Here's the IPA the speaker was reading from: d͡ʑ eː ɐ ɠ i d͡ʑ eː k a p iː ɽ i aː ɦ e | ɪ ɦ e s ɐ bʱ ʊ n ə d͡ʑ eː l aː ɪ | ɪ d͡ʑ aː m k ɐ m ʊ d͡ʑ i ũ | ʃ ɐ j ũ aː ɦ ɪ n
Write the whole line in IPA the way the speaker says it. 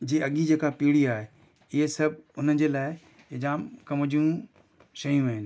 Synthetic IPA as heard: d͡ʑ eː ɐ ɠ i d͡ʑ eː k a p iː ɽ i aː ɦ e | ɪ ɦ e s ɐ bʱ ʊ n ə d͡ʑ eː l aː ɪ | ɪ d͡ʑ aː m k ɐ m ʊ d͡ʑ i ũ | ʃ ɐ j ũ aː ɦ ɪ n

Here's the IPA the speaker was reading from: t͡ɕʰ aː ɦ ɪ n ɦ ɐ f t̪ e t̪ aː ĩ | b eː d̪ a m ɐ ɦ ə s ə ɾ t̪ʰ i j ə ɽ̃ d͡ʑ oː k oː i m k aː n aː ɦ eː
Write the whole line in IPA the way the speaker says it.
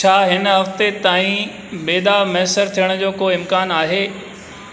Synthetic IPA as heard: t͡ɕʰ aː ɦ ɪ n ɦ ɐ f t̪ e t̪ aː ĩ | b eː d̪ a m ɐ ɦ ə s ə ɾ t̪ʰ i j ə ɽ̃ d͡ʑ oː k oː ɪ m k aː n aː ɦ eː

